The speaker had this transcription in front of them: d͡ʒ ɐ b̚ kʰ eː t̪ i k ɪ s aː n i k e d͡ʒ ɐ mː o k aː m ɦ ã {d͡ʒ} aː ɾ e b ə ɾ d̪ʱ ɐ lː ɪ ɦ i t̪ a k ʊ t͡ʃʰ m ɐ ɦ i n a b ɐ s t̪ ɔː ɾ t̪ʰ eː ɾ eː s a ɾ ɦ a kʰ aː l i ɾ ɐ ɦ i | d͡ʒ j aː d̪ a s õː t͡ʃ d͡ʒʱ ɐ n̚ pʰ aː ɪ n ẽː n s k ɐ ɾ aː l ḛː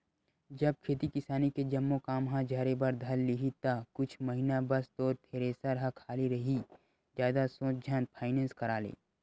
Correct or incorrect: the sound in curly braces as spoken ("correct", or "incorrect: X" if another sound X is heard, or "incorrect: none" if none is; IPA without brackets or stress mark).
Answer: correct